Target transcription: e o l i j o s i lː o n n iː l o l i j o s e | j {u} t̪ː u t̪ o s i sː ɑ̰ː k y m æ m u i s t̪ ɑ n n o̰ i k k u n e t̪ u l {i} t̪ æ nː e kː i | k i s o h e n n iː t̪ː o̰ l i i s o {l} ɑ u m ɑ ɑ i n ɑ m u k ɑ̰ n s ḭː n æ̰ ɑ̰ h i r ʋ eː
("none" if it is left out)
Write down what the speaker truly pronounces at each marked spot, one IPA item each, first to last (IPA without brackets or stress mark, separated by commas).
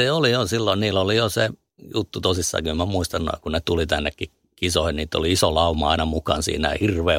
u, i, l